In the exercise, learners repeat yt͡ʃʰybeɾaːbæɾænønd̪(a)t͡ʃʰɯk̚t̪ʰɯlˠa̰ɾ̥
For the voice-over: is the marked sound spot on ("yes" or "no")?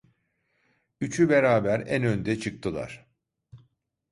no